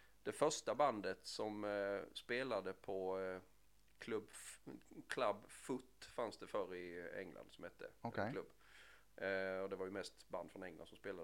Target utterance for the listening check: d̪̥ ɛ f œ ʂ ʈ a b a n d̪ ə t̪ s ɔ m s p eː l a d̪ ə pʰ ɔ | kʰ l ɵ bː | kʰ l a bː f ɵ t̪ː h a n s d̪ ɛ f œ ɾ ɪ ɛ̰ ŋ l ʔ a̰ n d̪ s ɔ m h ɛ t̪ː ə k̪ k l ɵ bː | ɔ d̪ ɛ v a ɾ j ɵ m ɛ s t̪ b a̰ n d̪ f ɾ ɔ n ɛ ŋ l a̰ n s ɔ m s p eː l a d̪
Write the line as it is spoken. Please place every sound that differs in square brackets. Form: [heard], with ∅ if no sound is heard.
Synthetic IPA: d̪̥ ɛ f œ ʂ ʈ a b a n d̪ ə t̪ s ɔ m s p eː l a d̪ ə pʰ ɔ | kʰ l ɵ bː | kʰ l a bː f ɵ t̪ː [f] a n s d̪ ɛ f œ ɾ ɪ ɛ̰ ŋ l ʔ a̰ n d̪ s ɔ m h ɛ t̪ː ə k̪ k l ɵ bː | ɔ d̪ ɛ v a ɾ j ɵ m ɛ s t̪ b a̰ n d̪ f ɾ ɔ n ɛ ŋ l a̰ n s ɔ m s p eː l a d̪